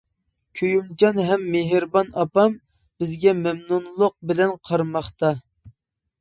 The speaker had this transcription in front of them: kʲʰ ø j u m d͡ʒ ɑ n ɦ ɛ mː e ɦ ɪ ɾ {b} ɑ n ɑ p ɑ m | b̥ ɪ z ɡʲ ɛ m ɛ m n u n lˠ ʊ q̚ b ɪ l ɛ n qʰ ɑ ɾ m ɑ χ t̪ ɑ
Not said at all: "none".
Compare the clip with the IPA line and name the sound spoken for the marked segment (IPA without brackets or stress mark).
b